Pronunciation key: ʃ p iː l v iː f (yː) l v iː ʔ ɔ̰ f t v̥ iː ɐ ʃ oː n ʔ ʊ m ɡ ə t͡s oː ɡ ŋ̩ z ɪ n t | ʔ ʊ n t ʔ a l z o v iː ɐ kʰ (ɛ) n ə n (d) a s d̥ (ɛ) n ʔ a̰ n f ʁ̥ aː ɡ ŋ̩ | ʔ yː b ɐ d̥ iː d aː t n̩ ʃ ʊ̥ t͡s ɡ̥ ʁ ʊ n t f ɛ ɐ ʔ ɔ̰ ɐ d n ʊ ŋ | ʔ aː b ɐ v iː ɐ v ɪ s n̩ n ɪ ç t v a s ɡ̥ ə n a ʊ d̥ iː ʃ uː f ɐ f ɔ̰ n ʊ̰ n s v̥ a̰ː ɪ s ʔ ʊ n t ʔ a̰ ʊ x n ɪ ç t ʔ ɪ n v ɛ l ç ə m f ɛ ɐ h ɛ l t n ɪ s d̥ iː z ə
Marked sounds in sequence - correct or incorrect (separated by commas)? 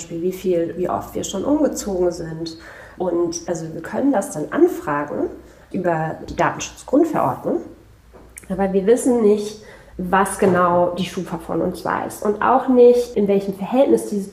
incorrect, incorrect, correct, incorrect